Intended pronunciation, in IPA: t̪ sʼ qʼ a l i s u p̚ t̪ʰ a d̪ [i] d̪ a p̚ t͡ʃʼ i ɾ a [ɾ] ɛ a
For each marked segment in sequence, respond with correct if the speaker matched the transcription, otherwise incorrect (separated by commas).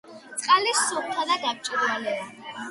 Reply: incorrect, incorrect